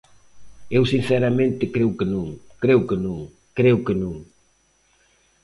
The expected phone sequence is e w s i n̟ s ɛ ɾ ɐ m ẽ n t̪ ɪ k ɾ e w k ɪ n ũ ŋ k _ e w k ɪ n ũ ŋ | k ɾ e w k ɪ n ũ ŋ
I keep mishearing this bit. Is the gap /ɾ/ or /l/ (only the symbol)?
ɾ